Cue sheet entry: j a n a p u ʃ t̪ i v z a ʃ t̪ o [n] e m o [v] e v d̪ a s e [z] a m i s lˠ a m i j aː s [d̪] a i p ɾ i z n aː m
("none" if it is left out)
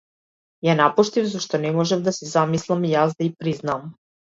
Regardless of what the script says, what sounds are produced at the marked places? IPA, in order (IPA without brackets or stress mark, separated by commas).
n, ʒ, z, d̪